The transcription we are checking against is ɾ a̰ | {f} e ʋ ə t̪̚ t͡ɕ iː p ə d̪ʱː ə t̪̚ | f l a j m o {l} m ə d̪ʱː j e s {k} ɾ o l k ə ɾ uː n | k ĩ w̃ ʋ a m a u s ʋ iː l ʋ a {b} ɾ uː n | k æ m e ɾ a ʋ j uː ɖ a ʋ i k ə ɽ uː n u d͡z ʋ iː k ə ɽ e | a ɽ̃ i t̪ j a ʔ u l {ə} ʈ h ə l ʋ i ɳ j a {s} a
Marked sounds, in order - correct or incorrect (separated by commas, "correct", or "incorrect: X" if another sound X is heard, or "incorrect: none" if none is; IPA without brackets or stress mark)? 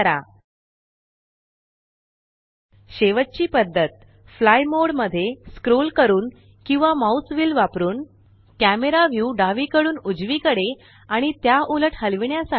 incorrect: ɕ, incorrect: ɽ, correct, incorrect: p, correct, correct